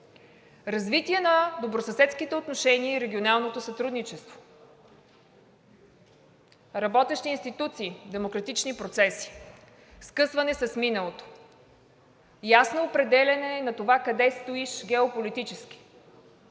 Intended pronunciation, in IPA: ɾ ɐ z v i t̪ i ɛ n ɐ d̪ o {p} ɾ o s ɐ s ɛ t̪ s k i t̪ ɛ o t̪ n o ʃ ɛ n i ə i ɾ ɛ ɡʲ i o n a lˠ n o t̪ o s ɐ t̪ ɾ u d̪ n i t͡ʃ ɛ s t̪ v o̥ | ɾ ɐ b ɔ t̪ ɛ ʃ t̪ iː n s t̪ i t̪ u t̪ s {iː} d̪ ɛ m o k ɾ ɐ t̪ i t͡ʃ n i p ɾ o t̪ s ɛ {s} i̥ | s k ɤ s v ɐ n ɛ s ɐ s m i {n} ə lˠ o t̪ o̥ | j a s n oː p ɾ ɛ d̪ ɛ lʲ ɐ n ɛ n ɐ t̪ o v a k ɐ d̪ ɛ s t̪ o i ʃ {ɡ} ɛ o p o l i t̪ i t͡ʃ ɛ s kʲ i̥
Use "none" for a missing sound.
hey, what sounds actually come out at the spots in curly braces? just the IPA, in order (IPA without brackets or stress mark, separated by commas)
b, iː, s, n, ɡ